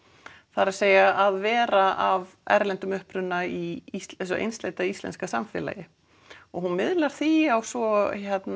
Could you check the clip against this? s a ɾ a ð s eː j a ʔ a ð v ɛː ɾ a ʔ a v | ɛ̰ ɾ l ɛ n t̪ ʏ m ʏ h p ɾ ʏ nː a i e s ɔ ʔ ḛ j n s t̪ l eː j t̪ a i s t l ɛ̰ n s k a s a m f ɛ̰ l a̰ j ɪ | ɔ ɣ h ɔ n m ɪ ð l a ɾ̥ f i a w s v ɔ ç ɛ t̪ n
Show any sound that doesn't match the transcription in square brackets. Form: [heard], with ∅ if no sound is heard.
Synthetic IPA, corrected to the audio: [θ] a ɾ a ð s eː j a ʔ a ð v ɛː ɾ a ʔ a v | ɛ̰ ɾ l ɛ n t̪ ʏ m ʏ h p ɾ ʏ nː a i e s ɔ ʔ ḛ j n s t̪ l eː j t̪ a i s t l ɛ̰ n s k a s a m f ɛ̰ l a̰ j ɪ | ɔ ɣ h [u] n m ɪ ð l a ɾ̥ [θ] i a w s v ɔ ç ɛ t̪ n